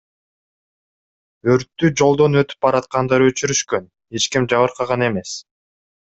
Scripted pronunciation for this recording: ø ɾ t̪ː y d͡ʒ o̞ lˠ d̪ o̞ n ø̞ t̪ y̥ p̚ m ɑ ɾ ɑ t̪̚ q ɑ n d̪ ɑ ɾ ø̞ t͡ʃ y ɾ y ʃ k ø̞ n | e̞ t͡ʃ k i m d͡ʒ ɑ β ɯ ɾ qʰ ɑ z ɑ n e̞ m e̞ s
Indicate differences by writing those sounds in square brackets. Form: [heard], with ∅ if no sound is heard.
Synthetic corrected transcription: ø ɾ t̪ː y d͡ʒ o̞ lˠ d̪ o̞ n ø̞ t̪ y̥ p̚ [b] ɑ ɾ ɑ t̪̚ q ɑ n d̪ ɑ ɾ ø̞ t͡ʃ y ɾ y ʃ k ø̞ n | e̞ t͡ʃ k i m d͡ʒ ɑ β ɯ ɾ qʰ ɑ [ʁ] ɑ n e̞ m e̞ s